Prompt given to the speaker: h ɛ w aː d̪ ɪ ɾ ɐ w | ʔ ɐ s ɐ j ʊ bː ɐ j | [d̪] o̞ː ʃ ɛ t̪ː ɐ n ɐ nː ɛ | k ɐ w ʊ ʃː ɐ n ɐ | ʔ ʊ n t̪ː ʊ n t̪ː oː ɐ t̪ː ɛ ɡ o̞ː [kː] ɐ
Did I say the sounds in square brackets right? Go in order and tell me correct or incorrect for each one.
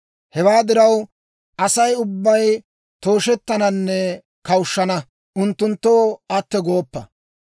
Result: incorrect: t̪, incorrect: pː

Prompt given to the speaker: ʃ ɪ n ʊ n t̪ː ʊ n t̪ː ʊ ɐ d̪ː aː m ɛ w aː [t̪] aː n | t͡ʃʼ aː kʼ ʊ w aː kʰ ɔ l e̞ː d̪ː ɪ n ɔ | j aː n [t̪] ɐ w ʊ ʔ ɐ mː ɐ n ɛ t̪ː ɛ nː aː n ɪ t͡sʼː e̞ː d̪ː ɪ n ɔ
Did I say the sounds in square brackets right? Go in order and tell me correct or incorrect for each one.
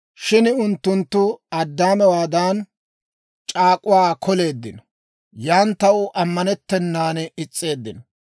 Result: incorrect: d̪, correct

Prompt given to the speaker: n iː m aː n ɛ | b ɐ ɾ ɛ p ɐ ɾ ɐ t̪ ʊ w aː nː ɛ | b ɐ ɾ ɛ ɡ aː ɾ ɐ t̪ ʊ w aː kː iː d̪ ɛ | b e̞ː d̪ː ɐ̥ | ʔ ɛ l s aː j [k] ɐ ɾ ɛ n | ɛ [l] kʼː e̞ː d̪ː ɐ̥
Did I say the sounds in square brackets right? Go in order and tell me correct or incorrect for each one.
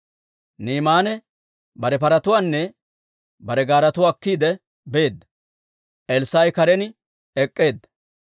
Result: correct, incorrect: none

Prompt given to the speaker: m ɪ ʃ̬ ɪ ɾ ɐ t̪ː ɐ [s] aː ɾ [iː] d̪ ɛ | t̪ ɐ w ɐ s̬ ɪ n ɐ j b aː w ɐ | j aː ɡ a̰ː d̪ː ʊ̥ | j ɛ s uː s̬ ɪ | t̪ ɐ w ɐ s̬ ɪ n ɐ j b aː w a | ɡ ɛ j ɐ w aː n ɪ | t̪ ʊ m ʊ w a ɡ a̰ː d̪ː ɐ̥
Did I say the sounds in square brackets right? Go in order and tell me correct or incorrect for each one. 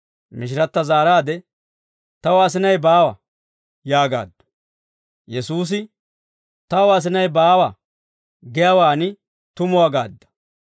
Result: incorrect: z, incorrect: aː

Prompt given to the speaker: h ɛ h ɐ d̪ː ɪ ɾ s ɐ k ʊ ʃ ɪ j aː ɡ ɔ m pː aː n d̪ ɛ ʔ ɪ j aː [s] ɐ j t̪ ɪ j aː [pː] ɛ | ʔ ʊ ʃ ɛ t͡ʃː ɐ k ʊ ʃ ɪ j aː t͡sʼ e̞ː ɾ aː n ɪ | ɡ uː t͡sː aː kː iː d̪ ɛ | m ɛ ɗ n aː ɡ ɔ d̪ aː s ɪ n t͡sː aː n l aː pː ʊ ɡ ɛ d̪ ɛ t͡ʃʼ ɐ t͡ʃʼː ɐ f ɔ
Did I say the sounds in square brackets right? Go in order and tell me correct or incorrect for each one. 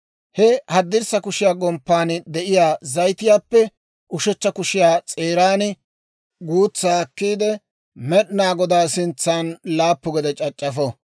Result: incorrect: z, correct

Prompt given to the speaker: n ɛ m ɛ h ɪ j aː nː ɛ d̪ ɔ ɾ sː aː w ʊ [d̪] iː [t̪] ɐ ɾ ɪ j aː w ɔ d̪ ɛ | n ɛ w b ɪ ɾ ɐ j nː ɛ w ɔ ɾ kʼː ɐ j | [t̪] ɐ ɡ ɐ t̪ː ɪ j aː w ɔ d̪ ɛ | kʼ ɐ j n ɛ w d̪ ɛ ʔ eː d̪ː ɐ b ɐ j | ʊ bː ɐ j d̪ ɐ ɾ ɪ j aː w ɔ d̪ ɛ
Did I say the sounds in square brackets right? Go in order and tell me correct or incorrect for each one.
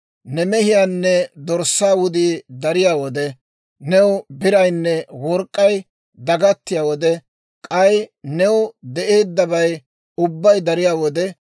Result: correct, incorrect: d̪, incorrect: d̪

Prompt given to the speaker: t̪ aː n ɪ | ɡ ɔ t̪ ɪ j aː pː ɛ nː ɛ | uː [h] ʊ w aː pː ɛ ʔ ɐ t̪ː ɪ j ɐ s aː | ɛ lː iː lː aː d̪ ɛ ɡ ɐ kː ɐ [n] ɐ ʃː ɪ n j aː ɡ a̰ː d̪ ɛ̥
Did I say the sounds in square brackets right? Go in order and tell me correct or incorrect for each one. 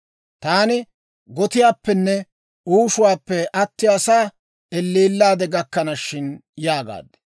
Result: incorrect: ʃ, correct

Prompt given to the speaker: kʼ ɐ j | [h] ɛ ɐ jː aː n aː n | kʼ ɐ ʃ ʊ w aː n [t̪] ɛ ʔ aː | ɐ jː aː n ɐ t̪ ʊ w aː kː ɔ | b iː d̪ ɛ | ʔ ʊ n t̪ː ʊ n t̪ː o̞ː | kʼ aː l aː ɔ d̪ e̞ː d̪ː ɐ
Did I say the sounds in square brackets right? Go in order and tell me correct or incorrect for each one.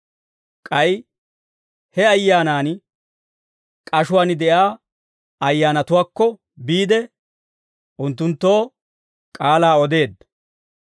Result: correct, incorrect: d̪

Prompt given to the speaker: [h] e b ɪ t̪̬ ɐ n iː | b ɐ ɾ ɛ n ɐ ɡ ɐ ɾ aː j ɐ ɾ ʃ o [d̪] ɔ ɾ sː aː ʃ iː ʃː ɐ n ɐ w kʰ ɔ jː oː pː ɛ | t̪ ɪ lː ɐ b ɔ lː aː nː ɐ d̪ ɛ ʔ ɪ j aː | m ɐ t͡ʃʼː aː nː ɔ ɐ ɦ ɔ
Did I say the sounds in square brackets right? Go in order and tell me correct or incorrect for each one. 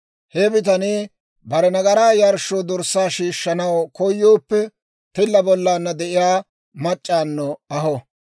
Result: correct, correct

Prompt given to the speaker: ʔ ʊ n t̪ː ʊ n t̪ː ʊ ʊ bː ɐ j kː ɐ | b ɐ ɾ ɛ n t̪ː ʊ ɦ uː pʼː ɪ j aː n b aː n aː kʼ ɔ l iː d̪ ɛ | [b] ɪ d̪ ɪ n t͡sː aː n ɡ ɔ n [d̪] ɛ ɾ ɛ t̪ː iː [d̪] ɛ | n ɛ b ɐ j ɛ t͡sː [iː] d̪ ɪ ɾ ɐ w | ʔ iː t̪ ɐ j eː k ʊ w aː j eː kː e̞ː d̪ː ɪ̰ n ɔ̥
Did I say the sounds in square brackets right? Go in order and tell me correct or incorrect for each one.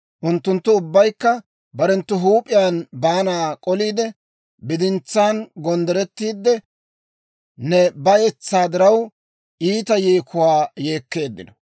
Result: correct, correct, incorrect: d̪ː, incorrect: aː

